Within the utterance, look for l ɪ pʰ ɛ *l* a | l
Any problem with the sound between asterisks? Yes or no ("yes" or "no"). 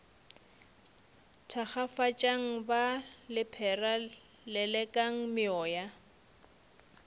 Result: yes